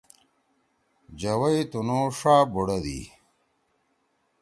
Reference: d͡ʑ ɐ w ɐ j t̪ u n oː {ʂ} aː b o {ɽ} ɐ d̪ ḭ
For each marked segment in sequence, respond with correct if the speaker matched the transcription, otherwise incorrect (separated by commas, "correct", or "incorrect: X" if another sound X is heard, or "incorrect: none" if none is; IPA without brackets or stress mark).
correct, correct